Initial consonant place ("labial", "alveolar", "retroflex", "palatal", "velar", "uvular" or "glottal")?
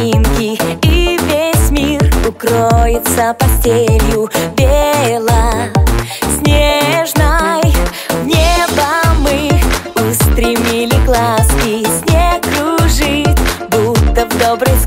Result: alveolar